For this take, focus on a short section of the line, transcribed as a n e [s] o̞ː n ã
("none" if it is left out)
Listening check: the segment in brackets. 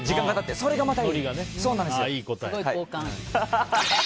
s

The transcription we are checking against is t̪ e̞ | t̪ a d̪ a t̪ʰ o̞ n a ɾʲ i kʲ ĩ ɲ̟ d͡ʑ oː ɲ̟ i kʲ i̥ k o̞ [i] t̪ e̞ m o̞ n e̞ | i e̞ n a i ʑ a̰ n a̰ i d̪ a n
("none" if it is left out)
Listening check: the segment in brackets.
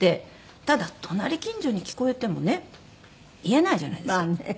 e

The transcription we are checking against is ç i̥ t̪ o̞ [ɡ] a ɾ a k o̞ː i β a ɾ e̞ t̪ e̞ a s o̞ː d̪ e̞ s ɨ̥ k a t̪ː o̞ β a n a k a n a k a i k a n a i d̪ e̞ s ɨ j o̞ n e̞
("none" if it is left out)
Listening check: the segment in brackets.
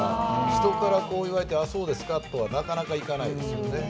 k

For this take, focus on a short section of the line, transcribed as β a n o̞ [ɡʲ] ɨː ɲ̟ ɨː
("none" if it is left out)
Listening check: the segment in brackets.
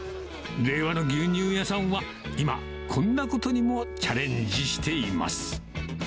ɡʲ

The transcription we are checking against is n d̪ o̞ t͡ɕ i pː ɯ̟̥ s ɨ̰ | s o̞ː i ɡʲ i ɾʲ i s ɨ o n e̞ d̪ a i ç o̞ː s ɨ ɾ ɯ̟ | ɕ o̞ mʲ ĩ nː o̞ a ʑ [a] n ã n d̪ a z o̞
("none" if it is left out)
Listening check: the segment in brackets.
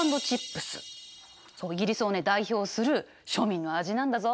i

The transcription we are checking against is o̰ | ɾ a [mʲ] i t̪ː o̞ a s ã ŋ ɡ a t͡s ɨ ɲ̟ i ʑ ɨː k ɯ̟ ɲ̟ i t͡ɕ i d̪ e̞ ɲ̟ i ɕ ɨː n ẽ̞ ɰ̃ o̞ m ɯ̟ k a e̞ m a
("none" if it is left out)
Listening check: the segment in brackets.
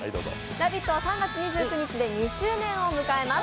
bʲ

